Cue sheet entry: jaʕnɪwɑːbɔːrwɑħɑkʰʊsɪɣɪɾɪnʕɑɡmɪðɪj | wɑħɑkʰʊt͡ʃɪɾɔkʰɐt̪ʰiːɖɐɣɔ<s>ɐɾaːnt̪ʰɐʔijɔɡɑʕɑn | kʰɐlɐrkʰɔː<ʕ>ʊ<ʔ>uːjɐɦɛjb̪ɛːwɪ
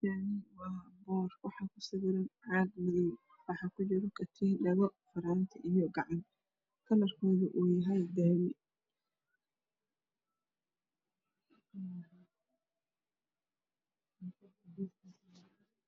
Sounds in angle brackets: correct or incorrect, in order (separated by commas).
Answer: incorrect, incorrect, correct